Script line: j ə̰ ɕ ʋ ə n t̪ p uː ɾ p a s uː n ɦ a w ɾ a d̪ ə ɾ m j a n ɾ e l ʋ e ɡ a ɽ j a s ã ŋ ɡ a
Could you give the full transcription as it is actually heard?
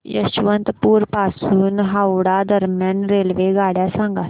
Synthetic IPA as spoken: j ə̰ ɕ ʋ ə n t̪ p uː ɾ p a s uː n ɦ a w ɽ a d̪ ə ɾ m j a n ɾ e l ʋ e ɡ a ɽ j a s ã ŋ ɡ a